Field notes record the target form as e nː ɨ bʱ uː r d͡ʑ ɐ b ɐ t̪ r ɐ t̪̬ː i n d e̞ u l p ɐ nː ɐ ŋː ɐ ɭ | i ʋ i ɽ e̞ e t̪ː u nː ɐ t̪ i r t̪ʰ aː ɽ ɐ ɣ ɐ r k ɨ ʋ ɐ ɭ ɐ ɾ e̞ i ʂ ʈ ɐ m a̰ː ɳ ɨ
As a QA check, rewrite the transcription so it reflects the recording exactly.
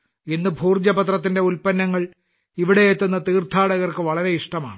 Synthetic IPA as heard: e nː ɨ bʱ uː r d͡ʑ ɐ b ɐ t̪ r ɐ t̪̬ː i n d e̞ u l p ɐ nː ɐ ŋː ɐ ɭ | i ʋ i ɽ e̞ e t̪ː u nː ɐ t̪ iː r t̪ʰ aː ɽ ɐ ɣ ɐ r k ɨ ʋ ɐ ɭ ɐ ɾ e̞ i ʂ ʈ ɐ m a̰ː ɳ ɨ

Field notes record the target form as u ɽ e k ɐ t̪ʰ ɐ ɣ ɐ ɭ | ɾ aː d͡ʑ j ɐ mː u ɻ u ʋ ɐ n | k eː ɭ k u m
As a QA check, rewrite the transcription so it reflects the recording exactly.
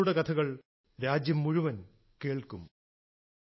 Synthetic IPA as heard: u ɽ e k ɐ t̪ʰ ɐ ɣ ɐ ɭ | ɾ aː d͡ʑ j ɐ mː u ɻ u ʋ ɐ n | k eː ɭ k u m

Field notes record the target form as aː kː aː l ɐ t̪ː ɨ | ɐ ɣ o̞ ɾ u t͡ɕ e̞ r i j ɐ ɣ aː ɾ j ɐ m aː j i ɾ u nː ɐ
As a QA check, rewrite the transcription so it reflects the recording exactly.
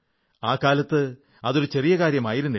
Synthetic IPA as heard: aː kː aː l ɐ t̪ː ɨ | ɐ ð o̞ ɾ u t͡ɕ e̞ r i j ɐ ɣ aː ɾ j ɐ m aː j i ɾ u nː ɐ

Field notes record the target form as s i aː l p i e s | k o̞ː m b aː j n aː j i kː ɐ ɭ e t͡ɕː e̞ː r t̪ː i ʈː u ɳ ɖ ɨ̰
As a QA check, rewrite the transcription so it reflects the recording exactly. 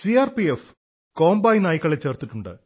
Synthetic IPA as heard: s i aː r p i e f | k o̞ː m b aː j n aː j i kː ɐ ɭ e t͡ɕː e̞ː r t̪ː i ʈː u ɳ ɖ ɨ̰

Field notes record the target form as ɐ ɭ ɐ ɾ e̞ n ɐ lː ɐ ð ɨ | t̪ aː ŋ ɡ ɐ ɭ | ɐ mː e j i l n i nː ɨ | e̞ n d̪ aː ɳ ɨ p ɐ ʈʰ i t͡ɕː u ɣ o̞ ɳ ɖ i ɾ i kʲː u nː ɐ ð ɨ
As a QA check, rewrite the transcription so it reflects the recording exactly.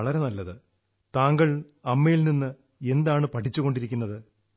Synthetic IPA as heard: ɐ ɭ ɐ ɾ e̞ n ɐ lː ɐ ð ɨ | t̪ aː ŋ ɡ ɐ ɭ | ɐ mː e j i l n i nː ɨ | e̞ n d̪ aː ɳ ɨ p ɐ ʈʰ i t͡ɕː u ɣ o̞ ɳ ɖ i ɾ i kʲː u nː ɐ ð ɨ

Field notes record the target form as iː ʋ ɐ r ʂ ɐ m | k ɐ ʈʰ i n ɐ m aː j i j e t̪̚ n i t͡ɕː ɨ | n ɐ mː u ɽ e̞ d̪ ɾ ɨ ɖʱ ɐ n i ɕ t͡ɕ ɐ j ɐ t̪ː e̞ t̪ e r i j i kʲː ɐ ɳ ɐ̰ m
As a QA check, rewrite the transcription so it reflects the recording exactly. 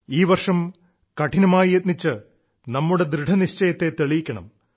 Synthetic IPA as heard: iː ʋ ɐ r ʂ ɐ m | k ɐ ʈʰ i n ɐ m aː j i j e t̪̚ n i t͡ɕː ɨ | n ɐ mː u ɽ e̞ d̪ ɾ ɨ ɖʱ ɐ n i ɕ t͡ɕ ɐ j ɐ t̪ː e̞ t̪ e ɭ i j i kʲː ɐ ɳ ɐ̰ m

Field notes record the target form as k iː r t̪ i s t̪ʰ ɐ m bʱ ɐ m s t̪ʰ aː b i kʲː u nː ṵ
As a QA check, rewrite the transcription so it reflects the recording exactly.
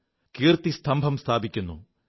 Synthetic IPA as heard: k iː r t̪ i s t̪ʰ ɐ m bʱ ɐ m s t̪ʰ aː b i kʲː u nː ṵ

